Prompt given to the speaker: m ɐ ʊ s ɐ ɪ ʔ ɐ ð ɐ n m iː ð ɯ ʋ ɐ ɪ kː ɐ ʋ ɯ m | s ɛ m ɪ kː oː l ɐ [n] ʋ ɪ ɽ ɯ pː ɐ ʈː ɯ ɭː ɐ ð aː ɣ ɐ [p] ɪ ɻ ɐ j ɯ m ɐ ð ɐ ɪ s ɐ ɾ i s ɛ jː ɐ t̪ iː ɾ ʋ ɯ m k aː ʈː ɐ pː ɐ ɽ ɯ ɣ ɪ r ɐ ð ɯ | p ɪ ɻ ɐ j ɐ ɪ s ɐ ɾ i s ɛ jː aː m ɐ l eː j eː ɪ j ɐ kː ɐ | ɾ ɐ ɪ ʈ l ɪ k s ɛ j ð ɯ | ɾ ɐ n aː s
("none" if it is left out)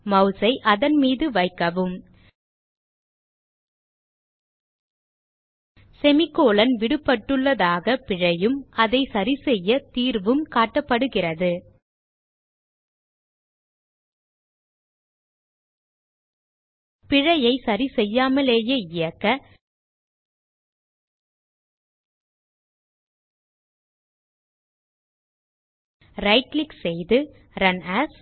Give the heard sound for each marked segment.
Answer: n, p

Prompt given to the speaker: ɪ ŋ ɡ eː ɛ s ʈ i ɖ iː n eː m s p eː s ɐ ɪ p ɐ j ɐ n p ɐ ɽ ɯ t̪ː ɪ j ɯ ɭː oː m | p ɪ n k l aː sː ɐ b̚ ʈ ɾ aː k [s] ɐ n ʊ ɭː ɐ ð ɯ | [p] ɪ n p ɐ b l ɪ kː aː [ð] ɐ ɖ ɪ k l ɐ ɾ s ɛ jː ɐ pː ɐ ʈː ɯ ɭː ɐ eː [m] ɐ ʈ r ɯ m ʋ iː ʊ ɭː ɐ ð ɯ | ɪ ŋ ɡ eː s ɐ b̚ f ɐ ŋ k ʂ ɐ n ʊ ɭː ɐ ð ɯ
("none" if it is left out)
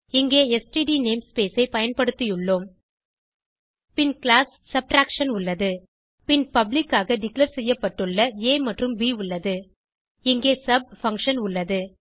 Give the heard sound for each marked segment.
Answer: ʂ, p, ɣ, m

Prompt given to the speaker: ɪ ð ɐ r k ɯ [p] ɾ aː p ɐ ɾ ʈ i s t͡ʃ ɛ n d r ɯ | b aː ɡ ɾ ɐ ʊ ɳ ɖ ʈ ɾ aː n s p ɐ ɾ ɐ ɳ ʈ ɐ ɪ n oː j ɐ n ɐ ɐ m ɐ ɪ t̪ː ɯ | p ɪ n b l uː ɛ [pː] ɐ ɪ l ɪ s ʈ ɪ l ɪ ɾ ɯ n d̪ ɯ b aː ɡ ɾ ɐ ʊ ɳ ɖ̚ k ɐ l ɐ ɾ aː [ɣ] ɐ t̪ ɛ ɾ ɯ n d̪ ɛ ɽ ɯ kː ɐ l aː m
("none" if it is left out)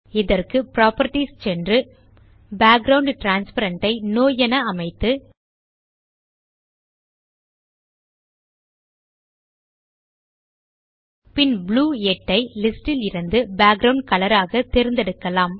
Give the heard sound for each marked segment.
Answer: p, ʈː, ɣ

